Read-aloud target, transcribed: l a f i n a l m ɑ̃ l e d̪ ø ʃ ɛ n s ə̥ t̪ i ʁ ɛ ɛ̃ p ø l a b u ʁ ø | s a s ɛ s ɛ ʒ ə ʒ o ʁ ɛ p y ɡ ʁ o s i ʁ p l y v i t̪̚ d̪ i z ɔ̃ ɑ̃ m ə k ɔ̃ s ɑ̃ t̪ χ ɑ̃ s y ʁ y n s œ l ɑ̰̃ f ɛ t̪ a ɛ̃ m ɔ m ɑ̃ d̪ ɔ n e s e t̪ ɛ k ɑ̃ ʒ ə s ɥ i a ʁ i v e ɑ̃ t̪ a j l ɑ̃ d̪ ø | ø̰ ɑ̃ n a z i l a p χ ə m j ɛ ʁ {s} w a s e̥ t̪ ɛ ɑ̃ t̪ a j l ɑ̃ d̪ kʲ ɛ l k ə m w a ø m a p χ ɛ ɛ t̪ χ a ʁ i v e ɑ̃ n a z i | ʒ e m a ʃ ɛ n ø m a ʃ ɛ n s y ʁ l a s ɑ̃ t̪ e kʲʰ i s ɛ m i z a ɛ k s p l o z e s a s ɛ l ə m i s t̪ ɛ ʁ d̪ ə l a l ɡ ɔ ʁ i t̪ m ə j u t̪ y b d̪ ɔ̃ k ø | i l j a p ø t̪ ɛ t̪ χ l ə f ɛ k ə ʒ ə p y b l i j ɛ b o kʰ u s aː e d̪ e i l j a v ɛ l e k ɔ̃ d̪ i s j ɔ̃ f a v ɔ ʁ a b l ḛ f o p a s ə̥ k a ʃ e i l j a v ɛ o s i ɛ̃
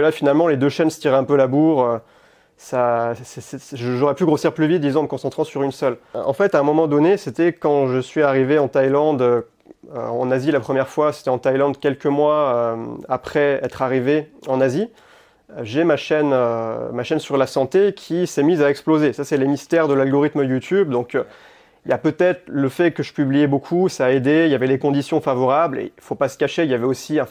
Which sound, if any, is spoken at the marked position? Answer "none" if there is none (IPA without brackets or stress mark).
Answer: f